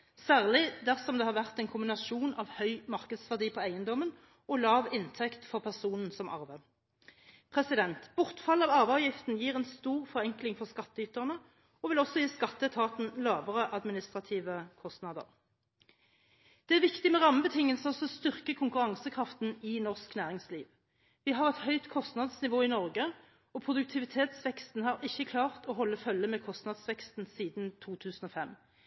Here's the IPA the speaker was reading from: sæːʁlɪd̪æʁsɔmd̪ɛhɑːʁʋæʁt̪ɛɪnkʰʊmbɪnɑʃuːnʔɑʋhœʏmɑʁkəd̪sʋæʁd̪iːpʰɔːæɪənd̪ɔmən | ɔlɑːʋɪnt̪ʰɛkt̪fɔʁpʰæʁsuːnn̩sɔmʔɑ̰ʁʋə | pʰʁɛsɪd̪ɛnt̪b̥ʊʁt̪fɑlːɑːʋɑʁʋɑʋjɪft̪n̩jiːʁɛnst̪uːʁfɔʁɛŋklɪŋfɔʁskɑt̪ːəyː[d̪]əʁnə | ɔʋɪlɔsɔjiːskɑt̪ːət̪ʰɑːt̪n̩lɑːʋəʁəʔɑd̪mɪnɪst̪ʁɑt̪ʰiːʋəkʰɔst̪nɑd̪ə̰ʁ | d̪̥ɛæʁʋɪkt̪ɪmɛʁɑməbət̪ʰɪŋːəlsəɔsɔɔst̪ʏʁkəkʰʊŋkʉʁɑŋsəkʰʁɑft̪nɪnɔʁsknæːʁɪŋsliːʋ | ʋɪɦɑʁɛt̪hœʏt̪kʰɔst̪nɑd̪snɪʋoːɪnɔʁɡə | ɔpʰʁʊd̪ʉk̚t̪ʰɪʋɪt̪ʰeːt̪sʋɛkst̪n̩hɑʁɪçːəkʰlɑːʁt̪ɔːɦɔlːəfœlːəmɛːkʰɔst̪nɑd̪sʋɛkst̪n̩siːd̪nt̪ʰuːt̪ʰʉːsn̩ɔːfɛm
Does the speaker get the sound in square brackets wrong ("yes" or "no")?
yes